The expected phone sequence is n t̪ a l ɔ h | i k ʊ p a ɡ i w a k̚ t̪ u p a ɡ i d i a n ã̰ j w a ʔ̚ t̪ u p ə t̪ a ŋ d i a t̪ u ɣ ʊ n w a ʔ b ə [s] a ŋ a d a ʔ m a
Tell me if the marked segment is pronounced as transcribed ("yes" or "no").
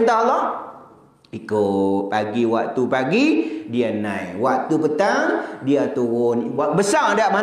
yes